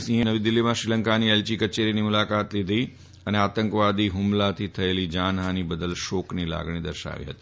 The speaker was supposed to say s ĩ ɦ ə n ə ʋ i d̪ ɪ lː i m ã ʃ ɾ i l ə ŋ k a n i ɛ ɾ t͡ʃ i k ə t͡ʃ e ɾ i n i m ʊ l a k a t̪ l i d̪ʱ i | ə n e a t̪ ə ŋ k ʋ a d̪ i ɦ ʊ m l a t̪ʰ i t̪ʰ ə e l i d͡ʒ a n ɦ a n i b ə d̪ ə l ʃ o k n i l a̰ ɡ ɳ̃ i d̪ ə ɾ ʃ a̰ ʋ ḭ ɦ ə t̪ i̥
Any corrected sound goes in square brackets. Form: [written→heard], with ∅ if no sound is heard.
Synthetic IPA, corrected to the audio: s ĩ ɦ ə n ə ʋ i d̪ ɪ lː i m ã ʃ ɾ i l ə ŋ k a n i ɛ [ɾ→l] t͡ʃ i k ə t͡ʃ e ɾ i n i m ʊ l a k a t̪ l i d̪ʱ i | ə n e a t̪ ə ŋ k ʋ a d̪ i ɦ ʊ m l a t̪ʰ i t̪ʰ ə e l i d͡ʒ a n ɦ a n i b ə d̪ ə l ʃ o k n i l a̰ ɡ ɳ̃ i d̪ ə ɾ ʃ a̰ ʋ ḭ ɦ ə t̪ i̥